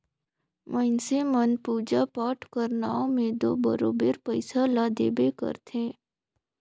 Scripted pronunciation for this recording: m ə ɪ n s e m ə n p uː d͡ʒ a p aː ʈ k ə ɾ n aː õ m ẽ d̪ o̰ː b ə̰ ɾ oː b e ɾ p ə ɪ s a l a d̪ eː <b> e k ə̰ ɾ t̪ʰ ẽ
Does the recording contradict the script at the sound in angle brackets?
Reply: no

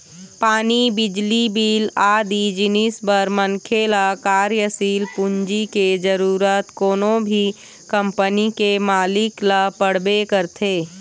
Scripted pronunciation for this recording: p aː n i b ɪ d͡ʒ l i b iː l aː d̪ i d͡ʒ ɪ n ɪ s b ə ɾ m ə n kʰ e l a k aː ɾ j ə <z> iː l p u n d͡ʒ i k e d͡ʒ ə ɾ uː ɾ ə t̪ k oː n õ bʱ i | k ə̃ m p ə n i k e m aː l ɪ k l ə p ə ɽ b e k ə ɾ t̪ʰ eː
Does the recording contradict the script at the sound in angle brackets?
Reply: yes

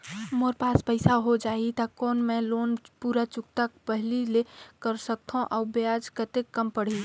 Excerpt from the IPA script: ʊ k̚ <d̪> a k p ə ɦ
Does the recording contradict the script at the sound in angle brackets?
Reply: yes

